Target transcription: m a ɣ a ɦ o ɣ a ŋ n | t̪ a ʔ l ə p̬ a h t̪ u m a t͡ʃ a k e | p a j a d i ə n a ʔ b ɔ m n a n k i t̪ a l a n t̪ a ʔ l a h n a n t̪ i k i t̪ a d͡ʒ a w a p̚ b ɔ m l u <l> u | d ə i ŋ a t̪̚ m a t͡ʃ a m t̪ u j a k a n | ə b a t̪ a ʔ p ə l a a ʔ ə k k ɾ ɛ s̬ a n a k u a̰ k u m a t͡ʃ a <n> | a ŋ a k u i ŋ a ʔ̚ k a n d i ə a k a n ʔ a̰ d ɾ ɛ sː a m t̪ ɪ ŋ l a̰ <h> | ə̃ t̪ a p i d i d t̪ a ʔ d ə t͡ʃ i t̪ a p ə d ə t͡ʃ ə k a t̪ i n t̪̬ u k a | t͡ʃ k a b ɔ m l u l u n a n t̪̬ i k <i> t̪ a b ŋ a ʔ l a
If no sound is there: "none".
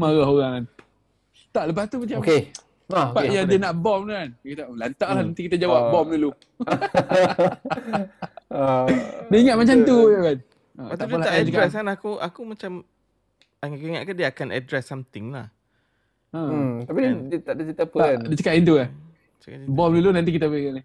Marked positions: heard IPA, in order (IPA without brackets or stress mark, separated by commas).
l, m, h, i